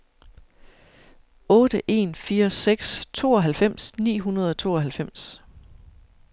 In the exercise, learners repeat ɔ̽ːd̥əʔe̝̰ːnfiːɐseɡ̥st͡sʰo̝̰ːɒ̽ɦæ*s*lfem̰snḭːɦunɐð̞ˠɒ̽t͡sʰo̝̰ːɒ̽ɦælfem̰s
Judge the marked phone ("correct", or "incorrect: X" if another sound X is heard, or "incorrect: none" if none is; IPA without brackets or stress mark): incorrect: none